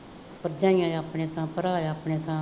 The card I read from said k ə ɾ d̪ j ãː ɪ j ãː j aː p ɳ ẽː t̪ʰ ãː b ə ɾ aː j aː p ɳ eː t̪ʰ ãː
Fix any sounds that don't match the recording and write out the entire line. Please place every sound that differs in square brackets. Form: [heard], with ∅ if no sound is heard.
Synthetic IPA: [p] ə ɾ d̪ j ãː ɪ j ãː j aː p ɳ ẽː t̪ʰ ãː [p] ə ɾ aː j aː p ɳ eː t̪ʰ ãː